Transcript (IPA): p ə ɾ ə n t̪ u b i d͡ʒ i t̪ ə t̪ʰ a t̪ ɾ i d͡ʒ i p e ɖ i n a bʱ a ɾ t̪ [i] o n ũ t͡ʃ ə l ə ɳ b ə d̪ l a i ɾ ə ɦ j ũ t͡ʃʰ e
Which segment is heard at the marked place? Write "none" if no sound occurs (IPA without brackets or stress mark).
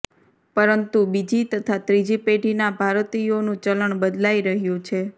i